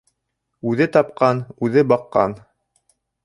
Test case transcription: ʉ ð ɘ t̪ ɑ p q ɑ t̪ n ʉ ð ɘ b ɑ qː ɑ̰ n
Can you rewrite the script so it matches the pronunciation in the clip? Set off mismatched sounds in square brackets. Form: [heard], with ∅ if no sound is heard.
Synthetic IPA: ʉ ð ɘ t̪ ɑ p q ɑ [∅] n ʉ ð ɘ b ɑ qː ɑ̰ n